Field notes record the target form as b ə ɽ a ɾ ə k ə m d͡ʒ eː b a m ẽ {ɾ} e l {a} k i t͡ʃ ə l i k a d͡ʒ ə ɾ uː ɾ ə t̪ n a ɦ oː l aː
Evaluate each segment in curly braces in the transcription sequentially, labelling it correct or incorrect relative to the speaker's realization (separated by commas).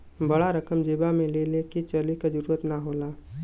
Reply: incorrect, incorrect